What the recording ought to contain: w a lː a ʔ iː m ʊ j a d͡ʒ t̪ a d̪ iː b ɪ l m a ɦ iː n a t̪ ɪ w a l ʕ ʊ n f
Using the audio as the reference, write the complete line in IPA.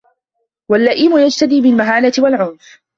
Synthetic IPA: w a lː a ʔ iː m ʊ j a d͡ʒ t̪ a d̪ iː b ɪ l m a ɦ aː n a t̪ ɪ w a l ʕ ʊ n f